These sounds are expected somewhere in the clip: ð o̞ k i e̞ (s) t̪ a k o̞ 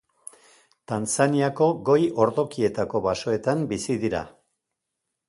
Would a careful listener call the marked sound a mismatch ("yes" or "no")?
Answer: yes